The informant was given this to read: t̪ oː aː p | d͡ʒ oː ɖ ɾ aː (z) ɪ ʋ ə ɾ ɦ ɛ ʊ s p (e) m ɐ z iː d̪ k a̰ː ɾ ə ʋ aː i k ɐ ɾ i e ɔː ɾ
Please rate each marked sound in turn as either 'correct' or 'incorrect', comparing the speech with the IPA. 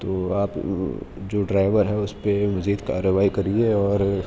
incorrect, correct

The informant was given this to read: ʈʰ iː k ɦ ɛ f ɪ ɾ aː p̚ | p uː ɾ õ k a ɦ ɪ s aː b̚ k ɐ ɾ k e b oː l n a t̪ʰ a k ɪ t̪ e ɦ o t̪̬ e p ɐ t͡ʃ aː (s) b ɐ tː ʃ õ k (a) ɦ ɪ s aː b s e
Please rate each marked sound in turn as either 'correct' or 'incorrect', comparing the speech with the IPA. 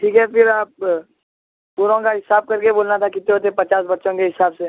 correct, incorrect

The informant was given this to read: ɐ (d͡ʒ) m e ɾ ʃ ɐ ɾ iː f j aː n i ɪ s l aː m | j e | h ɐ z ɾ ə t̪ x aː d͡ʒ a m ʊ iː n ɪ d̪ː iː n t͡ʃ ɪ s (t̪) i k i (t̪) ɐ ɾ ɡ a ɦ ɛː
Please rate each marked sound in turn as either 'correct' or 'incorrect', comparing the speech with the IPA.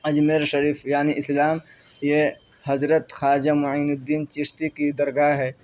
correct, correct, incorrect

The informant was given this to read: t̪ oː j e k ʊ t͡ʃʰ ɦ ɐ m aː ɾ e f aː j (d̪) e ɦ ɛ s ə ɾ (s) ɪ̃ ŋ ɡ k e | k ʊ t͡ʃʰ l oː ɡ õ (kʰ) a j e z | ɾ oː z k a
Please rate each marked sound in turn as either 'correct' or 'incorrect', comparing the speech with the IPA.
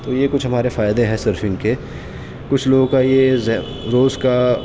correct, incorrect, incorrect

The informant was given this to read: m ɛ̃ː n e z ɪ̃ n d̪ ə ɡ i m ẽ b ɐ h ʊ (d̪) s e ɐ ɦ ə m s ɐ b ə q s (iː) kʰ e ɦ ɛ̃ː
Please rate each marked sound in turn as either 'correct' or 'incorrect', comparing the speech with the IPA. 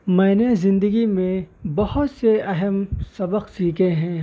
incorrect, correct

